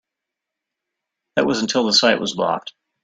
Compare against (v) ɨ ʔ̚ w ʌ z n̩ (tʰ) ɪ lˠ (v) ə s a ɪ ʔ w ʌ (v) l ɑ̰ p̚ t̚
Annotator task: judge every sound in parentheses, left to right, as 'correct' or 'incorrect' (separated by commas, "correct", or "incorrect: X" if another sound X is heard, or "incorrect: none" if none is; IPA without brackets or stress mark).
incorrect: ð, correct, incorrect: ð, incorrect: z